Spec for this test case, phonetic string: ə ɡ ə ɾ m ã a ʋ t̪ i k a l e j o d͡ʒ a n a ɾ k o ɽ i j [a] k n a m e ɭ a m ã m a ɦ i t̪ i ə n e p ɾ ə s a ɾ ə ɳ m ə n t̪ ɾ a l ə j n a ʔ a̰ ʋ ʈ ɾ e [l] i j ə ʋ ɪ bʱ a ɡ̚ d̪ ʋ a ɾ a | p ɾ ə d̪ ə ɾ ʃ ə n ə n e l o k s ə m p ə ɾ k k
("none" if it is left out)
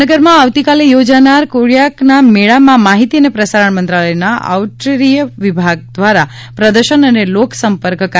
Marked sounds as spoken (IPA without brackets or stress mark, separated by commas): a, ɾ